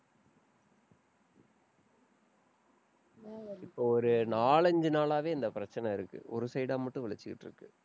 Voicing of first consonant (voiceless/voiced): voiceless